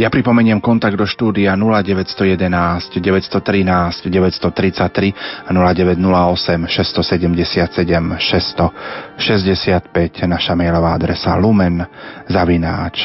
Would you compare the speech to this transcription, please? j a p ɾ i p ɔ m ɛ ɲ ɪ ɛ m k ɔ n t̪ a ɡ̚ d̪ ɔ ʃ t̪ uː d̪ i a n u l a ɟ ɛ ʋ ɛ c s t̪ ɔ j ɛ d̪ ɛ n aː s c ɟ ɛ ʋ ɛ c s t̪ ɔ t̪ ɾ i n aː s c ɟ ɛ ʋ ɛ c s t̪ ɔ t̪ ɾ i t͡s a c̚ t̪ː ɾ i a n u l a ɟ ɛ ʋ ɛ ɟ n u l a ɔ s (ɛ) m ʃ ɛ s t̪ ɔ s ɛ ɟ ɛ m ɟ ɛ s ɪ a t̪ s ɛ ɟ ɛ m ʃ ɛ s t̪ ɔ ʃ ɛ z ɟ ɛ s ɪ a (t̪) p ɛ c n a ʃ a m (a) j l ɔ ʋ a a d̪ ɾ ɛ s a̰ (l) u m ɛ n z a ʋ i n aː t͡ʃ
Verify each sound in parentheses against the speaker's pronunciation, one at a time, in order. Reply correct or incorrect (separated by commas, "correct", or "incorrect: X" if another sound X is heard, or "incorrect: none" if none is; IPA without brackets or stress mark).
correct, correct, incorrect: ɛ, correct